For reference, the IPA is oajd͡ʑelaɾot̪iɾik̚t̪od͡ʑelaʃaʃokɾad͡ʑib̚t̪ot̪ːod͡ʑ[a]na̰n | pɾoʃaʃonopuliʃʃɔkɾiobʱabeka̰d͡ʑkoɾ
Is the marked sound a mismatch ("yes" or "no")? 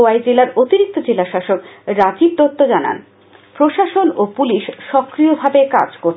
no